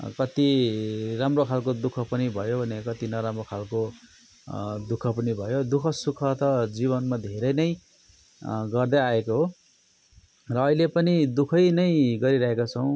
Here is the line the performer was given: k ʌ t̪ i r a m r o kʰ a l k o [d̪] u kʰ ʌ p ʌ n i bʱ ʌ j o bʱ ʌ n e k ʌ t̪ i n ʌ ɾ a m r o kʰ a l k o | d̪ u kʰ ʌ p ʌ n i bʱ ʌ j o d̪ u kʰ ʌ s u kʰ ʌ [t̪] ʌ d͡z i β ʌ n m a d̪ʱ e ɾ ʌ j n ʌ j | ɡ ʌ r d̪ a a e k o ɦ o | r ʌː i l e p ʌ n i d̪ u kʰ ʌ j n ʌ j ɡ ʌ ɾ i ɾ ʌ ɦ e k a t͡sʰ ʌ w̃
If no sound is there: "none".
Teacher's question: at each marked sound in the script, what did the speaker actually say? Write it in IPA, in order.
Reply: d̪, t̪

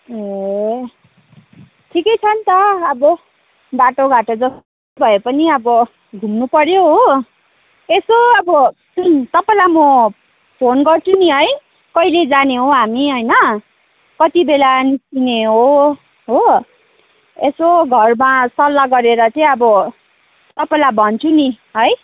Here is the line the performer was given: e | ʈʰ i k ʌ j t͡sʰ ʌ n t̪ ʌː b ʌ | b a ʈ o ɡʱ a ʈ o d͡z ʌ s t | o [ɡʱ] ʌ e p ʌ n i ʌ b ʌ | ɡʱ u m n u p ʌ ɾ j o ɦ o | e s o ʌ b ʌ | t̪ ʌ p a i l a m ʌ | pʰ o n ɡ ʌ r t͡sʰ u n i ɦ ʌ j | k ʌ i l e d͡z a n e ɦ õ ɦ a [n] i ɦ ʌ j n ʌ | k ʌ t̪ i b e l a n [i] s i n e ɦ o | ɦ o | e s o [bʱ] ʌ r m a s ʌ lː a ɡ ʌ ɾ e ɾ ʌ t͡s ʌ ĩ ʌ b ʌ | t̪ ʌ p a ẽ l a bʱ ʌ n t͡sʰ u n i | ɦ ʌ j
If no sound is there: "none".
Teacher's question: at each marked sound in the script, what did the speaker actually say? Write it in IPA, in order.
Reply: bʱ, m, i, ɡʱ

